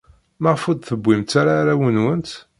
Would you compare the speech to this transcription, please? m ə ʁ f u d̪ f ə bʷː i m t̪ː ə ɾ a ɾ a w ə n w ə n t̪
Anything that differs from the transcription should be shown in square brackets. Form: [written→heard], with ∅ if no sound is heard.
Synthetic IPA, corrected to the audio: m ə ʁ f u d̪ [f→θ] ə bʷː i m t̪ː [ə→a] ɾ a ɾ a w ə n w ə n t̪